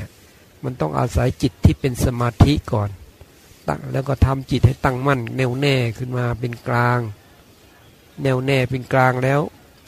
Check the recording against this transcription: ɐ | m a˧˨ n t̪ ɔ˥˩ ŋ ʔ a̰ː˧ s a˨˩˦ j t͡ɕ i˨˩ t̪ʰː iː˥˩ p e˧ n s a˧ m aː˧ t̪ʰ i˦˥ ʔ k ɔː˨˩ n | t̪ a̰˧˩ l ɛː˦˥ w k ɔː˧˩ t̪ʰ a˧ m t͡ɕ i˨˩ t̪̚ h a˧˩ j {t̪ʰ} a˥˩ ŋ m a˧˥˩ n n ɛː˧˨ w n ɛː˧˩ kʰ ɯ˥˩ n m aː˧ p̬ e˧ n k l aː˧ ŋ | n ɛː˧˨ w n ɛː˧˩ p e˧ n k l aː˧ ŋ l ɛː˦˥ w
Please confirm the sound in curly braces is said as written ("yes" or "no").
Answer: no